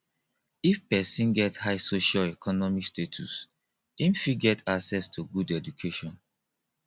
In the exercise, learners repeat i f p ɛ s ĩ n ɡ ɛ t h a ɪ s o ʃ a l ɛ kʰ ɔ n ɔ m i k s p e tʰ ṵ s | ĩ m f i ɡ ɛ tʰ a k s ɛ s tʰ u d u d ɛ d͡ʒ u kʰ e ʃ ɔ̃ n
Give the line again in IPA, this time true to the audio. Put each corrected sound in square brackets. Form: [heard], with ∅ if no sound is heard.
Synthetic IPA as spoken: i f p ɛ s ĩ n ɡ ɛ t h a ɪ s o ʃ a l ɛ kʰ ɔ n ɔ m i k s [t] e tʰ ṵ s | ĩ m f i ɡ ɛ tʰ a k s ɛ s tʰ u [ɡ] u d ɛ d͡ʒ u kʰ e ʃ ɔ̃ n